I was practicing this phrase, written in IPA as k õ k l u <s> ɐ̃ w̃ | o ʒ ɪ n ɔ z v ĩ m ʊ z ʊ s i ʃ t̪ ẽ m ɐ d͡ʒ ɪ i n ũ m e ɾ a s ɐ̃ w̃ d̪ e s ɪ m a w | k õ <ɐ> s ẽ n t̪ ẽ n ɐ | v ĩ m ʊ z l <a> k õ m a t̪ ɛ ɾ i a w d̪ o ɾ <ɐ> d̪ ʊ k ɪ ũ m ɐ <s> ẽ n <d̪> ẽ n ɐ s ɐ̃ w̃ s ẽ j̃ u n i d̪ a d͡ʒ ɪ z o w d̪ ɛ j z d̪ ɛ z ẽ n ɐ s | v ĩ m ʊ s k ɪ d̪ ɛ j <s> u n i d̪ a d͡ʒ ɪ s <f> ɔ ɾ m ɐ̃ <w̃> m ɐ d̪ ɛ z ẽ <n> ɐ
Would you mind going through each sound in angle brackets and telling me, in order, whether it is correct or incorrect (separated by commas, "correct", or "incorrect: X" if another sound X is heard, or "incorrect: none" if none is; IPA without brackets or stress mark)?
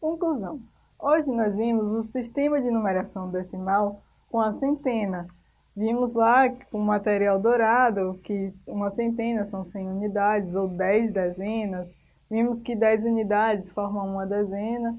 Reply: incorrect: z, correct, correct, incorrect: a, correct, incorrect: t̪, incorrect: z, correct, incorrect: ũ, correct